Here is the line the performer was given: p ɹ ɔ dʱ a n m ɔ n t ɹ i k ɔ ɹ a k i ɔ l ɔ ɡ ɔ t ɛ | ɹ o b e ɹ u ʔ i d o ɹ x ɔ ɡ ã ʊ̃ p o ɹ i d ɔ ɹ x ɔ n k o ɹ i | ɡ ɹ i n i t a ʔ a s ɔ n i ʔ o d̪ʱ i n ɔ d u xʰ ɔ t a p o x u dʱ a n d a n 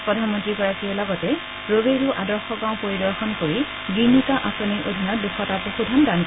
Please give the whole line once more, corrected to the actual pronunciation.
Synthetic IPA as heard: p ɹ ɔ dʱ a n m ɔ n t ɹ i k ɔ ɹ a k i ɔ l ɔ ɡ ɔ t ɛ | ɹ o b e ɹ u ʔ a d ɔ ɹ x ɔ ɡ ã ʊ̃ p o ɹ i d ɔ ɹ x ɔ n k o ɹ i | ɡ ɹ i n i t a ʔ a s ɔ n i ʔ o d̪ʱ i n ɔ d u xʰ ɔ t a p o x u dʱ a n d a n